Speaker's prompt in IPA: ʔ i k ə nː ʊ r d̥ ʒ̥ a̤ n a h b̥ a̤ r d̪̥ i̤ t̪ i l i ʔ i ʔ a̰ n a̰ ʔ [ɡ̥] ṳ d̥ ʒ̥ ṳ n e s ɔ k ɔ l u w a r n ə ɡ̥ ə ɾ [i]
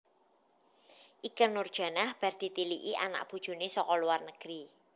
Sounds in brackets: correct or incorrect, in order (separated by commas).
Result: incorrect, correct